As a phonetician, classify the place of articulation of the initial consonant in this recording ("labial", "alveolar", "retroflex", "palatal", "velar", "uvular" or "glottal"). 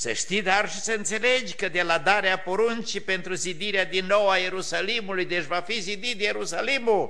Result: alveolar